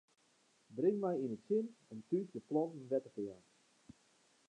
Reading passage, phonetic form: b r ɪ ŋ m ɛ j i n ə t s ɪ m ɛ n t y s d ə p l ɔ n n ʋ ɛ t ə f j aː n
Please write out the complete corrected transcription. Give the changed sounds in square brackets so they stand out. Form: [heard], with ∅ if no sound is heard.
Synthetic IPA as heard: b r ɪ ŋ m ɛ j i n ə t s ɪ [n] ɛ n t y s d ə p l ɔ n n ʋ ɛ t ə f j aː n